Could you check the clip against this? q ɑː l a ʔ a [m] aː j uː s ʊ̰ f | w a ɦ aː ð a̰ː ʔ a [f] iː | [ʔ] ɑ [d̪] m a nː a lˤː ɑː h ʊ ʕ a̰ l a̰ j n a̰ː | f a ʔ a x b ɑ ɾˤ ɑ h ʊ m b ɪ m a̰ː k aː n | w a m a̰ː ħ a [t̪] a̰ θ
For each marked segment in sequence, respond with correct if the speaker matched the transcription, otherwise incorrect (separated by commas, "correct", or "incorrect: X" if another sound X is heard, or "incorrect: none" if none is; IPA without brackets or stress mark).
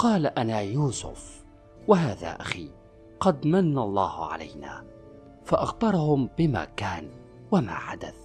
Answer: incorrect: n, incorrect: x, incorrect: q, correct, incorrect: d̪